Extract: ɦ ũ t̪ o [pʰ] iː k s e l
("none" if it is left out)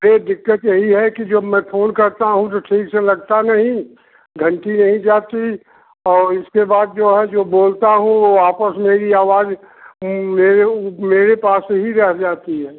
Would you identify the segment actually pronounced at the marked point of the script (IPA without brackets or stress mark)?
ʈʰ